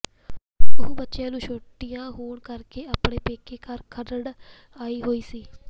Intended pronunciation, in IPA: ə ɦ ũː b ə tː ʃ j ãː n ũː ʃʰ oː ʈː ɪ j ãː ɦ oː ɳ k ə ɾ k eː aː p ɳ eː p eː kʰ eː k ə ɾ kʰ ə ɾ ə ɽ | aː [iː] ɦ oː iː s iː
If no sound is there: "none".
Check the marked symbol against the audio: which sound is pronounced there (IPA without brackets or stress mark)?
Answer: iː